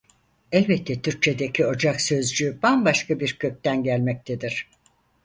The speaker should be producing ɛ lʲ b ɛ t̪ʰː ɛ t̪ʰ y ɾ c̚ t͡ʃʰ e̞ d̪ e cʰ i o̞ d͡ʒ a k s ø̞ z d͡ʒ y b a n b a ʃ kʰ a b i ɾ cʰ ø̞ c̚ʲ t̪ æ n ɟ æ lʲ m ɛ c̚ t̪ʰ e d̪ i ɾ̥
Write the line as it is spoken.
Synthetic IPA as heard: ɛ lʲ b ɛ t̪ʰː ɛ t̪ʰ y ɾ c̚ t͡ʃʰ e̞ d̪ e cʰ i o̞ d͡ʒ a k s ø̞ z d͡ʒ y b a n b a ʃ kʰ a b i ɾ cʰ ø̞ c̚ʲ t̪ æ n ɟ æ lʲ m ɛ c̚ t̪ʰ e d̪ i ɾ̥